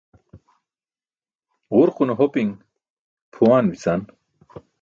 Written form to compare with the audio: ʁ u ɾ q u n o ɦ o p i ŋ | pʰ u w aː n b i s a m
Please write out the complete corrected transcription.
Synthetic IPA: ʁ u ɾ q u n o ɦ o p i ŋ | pʰ u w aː n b i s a n